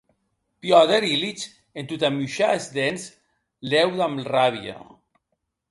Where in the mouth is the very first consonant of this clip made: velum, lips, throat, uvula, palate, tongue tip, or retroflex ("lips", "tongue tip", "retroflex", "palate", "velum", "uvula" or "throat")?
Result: lips